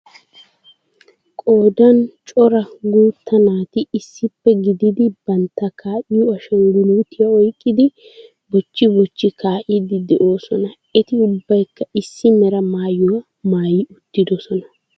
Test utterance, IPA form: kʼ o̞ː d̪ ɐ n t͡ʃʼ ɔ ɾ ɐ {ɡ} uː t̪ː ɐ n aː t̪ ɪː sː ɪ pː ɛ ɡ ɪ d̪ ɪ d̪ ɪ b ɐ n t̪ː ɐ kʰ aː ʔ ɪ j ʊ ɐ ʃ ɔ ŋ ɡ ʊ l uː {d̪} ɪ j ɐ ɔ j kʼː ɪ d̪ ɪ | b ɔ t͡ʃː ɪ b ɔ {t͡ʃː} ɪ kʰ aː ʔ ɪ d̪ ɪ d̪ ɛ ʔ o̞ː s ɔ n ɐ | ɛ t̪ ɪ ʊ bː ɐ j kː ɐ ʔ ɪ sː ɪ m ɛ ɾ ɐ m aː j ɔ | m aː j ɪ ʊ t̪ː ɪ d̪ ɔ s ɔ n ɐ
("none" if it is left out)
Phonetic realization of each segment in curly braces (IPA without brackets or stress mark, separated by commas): ɡ, t̪, t͡ʃː